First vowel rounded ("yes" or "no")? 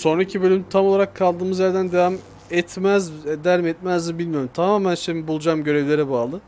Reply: yes